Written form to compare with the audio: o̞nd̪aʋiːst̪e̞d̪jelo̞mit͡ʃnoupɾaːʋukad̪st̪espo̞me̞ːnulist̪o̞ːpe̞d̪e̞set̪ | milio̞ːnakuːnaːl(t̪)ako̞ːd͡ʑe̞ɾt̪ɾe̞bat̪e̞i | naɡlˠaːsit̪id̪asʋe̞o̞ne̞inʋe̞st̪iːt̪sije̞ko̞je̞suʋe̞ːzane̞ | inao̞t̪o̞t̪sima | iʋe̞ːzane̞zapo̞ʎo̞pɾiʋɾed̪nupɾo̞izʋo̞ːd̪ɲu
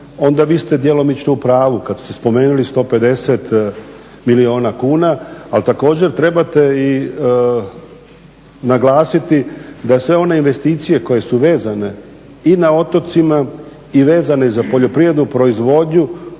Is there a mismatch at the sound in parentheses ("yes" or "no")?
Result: no